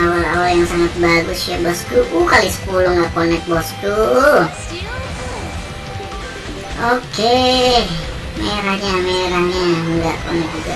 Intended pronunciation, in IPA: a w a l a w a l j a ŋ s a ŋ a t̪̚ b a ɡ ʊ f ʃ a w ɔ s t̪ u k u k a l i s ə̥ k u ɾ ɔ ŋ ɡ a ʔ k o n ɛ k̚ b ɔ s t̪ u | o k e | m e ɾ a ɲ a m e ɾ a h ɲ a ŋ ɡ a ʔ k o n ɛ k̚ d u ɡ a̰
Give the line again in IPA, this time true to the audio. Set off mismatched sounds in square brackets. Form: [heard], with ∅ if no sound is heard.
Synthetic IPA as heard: a w a l a w a l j a ŋ s a ŋ a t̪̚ b a ɡ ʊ [s] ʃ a [b] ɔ s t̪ u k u k a l i s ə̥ k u [l] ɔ ŋ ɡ a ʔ k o n ɛ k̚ b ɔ s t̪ u | o k e | m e ɾ a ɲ a m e ɾ a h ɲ a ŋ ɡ a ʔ k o n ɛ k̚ [d͡ʒ] u ɡ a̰